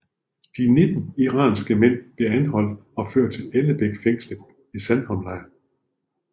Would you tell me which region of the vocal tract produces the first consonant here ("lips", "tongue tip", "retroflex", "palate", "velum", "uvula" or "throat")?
tongue tip